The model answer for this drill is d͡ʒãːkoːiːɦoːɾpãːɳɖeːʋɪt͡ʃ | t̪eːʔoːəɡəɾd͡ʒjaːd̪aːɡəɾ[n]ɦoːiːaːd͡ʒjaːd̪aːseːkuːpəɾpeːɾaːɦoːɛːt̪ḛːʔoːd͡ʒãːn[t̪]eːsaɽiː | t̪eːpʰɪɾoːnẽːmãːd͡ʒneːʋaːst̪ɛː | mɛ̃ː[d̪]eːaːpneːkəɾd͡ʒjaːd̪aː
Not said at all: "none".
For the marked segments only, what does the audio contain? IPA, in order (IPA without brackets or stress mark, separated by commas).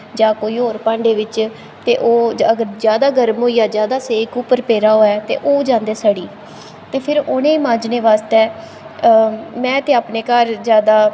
m, d̪, t̪